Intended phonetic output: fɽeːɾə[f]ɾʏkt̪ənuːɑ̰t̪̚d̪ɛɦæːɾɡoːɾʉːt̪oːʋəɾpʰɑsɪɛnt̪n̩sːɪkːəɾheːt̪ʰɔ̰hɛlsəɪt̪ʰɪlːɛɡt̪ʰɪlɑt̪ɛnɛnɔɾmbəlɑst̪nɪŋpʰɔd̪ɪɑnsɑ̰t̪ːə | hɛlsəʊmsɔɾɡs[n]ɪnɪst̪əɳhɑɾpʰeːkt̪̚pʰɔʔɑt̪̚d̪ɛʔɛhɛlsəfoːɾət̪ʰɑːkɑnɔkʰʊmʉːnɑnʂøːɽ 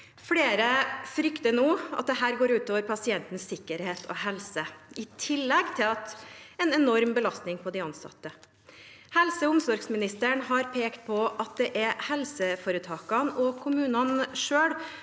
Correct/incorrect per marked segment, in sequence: correct, incorrect

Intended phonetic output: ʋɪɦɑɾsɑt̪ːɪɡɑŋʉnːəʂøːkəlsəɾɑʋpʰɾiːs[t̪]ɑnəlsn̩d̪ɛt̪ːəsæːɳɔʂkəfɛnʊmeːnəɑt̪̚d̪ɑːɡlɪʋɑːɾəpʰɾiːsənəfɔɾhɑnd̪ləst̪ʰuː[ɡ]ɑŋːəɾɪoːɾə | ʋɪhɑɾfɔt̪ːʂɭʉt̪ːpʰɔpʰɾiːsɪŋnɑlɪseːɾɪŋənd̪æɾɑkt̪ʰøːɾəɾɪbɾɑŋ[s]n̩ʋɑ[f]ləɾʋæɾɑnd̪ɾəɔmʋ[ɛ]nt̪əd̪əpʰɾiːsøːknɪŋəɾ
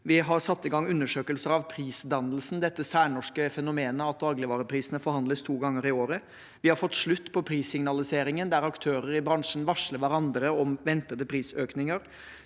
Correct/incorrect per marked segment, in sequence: incorrect, correct, incorrect, incorrect, correct

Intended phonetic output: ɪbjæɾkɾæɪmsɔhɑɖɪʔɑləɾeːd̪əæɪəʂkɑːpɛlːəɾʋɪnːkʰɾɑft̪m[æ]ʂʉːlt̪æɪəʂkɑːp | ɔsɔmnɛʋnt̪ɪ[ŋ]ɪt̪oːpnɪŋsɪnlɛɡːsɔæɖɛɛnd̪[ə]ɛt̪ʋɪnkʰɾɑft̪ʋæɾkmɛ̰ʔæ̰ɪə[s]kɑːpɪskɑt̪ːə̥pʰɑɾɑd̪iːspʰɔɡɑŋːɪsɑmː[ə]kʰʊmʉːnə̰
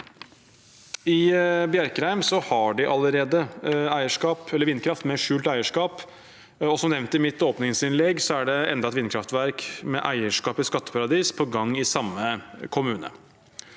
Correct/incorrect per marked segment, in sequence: incorrect, incorrect, incorrect, incorrect, correct

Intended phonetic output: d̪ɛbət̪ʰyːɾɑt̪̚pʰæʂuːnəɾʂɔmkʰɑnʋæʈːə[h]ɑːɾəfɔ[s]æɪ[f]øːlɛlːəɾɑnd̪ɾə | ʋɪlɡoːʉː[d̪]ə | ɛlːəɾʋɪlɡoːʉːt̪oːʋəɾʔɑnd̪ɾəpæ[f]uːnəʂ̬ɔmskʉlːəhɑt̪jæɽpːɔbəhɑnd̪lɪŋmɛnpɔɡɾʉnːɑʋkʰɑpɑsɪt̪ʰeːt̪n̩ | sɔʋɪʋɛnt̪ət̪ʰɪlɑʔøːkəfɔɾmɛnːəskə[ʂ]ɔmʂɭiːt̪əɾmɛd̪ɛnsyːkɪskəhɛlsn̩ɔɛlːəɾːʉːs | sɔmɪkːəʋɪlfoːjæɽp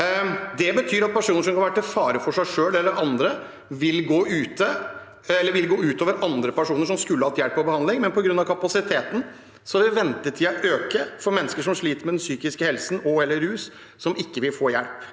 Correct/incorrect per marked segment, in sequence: incorrect, incorrect, incorrect, incorrect, incorrect, correct

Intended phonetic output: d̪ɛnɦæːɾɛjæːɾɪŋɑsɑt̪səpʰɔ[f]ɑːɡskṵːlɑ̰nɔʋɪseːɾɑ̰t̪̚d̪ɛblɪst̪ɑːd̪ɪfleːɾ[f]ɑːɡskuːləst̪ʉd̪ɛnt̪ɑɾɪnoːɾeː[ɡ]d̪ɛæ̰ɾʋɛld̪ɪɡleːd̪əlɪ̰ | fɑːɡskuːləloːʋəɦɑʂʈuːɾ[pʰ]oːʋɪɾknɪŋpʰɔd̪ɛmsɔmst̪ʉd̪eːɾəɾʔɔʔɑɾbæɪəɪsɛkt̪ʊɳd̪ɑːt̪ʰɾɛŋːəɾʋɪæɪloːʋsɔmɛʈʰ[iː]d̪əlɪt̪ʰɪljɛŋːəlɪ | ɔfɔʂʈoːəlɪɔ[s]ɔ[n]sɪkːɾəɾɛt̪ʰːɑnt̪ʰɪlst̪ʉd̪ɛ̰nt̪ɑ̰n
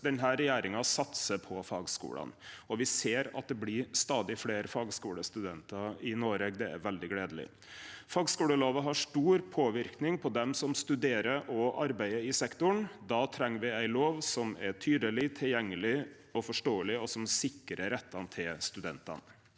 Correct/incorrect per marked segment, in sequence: correct, correct, correct, correct, incorrect, correct, incorrect

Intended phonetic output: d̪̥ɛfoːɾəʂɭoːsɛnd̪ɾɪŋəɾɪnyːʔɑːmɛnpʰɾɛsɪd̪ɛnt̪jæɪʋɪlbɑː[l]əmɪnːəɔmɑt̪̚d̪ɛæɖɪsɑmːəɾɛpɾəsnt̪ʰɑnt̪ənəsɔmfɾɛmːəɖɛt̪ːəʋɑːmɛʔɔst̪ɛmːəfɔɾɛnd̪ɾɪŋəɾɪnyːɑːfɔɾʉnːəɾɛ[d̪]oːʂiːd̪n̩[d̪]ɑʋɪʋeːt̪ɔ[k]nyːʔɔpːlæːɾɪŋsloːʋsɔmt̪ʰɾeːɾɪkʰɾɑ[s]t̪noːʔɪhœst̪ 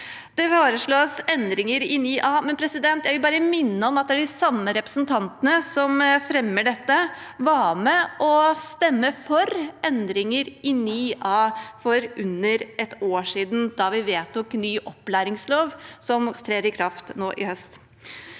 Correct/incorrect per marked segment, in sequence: incorrect, incorrect, correct, correct, incorrect

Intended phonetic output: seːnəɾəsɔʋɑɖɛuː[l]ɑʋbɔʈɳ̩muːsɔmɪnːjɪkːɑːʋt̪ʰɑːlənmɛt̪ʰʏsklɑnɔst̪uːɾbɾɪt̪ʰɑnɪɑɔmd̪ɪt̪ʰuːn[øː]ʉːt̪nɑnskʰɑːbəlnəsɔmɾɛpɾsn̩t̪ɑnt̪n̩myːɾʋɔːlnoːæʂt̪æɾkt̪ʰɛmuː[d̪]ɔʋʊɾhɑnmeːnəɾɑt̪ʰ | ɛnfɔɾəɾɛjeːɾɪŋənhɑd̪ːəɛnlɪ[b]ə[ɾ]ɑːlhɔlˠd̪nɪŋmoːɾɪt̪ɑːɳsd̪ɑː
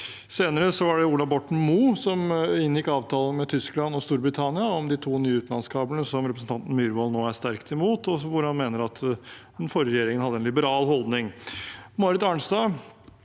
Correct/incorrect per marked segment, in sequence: correct, incorrect, incorrect, correct, correct

